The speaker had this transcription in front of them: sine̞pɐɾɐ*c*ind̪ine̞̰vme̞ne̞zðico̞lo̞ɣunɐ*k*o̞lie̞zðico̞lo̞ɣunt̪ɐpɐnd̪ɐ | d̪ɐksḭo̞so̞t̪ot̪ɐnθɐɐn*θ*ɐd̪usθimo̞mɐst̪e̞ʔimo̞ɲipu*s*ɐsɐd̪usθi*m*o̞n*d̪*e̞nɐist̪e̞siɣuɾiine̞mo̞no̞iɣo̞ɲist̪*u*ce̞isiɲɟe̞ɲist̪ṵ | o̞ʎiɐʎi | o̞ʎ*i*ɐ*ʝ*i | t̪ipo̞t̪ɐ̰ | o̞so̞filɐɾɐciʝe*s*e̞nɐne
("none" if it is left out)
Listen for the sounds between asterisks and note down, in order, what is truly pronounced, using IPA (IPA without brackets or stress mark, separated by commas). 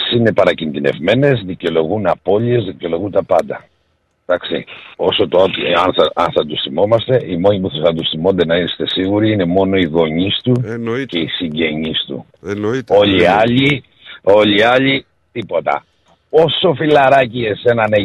c, p, θ, θ, m, d̪, u, i, ʎ, s